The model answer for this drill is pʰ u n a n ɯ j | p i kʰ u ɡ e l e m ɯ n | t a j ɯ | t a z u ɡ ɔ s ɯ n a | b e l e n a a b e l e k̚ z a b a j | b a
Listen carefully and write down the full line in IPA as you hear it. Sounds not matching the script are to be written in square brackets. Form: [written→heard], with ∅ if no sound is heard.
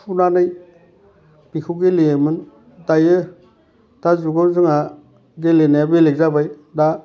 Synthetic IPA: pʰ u n a n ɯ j | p i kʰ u ɡ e l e m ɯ n | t a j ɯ | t a z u ɡ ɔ [s→z] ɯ [n→ŋ] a | [b→ɡ] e l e n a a b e l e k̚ z a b a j | [b→d] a